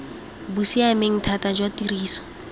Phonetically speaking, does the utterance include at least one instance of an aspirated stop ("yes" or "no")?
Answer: yes